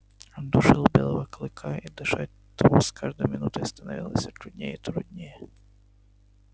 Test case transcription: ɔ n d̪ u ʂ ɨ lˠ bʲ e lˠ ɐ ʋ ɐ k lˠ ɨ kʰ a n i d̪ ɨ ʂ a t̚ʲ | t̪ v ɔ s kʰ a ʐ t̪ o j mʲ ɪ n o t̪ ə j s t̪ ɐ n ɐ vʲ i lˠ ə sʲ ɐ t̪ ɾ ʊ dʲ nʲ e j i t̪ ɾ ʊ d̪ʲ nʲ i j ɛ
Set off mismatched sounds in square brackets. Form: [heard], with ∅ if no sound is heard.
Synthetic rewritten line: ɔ n d̪ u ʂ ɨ lˠ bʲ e lˠ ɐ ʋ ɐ k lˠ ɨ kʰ a [∅] i d̪ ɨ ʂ a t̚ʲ | t̪ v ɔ s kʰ a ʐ [d̪] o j mʲ ɪ n [u] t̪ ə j s t̪ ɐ n ɐ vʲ i lˠ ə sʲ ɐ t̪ ɾ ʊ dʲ nʲ e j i t̪ ɾ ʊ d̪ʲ nʲ [e] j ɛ